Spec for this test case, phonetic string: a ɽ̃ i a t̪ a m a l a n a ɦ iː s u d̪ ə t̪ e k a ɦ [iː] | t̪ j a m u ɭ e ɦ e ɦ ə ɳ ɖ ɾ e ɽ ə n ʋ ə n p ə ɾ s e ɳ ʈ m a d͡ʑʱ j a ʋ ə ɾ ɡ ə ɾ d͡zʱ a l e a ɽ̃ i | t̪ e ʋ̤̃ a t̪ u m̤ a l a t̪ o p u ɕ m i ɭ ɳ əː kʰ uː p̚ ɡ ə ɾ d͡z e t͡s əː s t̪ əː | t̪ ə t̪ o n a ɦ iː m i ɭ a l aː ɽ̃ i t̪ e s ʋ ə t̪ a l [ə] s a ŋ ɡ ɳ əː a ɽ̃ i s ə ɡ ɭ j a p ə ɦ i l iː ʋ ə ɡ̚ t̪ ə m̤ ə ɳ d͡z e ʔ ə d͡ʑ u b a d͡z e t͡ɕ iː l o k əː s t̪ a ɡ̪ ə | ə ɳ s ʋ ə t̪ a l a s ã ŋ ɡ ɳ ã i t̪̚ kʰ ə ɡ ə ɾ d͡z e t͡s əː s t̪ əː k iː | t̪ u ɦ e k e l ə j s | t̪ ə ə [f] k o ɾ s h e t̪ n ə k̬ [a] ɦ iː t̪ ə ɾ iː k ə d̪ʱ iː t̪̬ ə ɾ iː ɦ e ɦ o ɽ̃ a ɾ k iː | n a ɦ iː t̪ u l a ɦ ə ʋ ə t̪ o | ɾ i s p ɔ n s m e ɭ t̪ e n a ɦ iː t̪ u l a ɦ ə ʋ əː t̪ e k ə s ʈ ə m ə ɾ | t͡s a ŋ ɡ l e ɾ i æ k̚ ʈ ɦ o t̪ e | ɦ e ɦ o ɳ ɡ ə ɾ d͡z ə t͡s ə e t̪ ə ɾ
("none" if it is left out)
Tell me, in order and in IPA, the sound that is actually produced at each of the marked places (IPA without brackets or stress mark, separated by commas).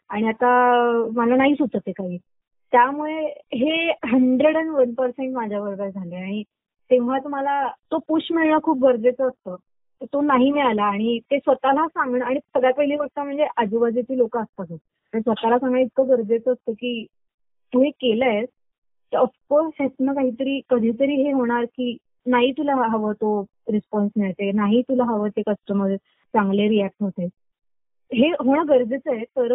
iː, a, f, a